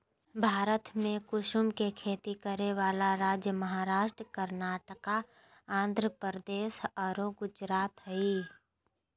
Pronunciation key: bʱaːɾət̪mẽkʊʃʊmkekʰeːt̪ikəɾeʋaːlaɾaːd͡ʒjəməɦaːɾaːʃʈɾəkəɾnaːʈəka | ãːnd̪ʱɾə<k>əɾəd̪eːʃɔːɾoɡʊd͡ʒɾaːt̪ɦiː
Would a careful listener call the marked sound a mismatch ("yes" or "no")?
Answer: yes